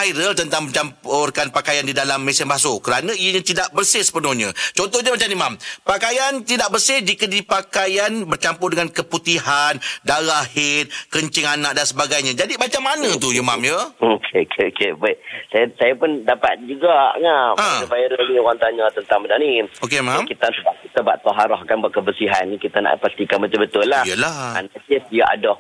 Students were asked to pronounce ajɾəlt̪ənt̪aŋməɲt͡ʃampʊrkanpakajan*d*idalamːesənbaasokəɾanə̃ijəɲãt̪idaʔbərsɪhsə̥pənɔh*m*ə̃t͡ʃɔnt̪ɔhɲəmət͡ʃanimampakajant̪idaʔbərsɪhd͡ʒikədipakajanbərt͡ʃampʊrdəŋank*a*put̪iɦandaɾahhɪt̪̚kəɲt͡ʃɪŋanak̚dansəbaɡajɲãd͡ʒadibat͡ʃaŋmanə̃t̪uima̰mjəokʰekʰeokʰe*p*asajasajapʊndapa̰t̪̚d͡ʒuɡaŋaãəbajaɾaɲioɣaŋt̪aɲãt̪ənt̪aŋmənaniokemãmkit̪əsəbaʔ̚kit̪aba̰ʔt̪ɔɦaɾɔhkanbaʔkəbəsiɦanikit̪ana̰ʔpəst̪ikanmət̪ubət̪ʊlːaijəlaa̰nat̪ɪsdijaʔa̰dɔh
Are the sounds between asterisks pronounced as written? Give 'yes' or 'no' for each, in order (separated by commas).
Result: yes, no, no, no